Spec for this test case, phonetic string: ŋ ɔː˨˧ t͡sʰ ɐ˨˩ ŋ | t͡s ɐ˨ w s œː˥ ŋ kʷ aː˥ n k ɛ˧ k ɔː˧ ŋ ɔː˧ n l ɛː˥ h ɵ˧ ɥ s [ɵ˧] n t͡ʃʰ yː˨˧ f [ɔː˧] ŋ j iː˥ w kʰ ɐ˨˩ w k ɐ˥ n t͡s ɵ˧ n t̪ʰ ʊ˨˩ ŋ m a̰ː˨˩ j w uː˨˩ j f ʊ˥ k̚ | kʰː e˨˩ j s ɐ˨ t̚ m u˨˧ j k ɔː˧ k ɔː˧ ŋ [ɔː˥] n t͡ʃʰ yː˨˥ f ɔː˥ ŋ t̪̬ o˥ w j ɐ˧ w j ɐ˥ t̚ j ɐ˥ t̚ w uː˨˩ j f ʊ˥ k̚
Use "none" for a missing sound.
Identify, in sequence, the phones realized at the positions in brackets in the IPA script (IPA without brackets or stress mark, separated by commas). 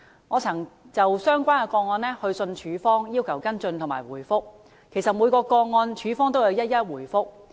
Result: ɵ˧, ɔː˥, ɔː˧